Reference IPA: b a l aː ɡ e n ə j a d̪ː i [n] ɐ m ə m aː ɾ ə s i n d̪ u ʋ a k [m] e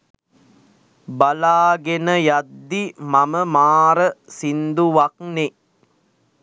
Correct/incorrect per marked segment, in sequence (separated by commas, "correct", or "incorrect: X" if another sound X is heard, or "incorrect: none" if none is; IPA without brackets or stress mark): incorrect: m, incorrect: n